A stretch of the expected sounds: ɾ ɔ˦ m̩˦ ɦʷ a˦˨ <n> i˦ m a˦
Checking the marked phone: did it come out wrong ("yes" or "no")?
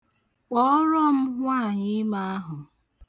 yes